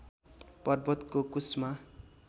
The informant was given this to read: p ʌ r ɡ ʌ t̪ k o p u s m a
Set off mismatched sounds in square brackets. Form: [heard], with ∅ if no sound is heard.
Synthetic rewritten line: p ʌ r [b] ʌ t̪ k o [k] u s m a